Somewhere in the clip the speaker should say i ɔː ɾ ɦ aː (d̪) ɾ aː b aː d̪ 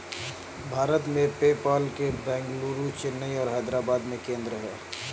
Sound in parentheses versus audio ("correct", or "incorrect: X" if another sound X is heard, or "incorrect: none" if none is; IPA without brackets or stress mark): correct